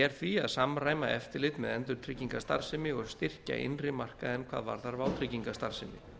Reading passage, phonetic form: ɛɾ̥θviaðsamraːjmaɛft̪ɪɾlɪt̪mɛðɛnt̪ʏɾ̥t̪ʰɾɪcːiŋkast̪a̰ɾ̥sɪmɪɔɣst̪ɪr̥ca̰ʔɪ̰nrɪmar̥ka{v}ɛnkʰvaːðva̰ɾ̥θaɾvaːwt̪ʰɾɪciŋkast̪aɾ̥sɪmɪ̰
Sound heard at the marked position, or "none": ð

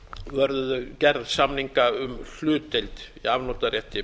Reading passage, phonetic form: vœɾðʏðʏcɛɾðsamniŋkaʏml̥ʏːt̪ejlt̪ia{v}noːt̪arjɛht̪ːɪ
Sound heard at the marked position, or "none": v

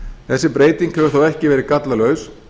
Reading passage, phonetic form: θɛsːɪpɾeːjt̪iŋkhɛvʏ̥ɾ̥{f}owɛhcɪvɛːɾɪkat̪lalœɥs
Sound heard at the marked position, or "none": θ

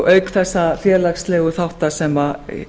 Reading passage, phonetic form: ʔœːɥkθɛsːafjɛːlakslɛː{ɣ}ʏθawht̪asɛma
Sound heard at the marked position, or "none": ɣ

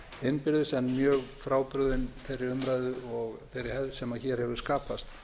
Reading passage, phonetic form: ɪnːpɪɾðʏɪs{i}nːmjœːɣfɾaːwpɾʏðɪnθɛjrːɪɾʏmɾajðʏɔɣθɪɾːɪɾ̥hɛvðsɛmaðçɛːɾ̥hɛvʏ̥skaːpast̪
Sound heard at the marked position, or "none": ɛ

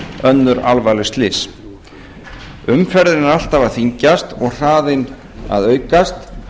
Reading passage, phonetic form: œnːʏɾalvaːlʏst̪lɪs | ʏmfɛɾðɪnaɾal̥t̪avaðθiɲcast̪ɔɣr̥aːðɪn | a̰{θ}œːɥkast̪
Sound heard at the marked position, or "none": ð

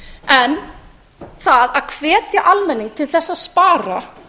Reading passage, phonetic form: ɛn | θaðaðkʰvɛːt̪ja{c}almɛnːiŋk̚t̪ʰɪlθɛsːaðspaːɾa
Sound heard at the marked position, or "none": ʔ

